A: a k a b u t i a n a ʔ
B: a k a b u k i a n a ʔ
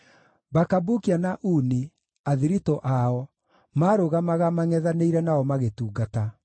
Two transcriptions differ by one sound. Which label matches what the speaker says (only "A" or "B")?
B